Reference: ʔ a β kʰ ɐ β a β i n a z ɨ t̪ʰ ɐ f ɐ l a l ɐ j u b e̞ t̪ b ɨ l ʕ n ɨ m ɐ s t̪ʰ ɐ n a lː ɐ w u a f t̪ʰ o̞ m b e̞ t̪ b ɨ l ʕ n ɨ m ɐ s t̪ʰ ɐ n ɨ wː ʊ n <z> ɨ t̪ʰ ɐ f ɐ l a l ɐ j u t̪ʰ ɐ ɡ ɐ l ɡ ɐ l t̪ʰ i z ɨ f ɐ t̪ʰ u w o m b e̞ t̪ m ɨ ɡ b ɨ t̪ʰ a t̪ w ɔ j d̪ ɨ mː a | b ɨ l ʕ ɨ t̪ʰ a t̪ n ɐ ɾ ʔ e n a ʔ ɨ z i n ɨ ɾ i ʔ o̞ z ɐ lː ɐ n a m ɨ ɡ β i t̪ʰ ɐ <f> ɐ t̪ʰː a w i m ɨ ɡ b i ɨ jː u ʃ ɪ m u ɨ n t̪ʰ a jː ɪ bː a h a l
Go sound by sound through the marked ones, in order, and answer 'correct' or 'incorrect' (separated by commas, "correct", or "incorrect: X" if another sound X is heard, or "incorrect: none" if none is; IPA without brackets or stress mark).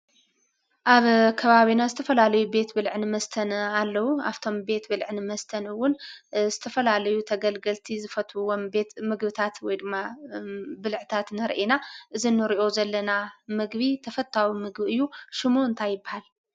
correct, correct